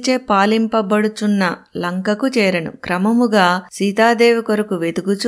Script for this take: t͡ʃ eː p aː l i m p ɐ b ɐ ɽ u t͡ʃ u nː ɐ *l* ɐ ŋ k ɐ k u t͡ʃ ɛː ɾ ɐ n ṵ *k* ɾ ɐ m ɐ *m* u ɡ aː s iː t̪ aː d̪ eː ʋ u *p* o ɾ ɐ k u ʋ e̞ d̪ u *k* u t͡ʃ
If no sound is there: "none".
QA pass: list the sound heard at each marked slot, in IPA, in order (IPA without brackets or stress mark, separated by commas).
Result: l, k, m, k, ɡ